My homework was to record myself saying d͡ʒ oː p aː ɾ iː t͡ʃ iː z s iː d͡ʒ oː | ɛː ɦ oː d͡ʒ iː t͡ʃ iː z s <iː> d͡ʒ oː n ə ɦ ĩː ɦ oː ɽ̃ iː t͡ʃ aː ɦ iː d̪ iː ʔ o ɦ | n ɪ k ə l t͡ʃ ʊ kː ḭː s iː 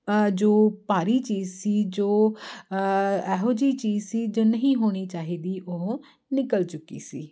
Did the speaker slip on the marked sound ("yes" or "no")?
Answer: no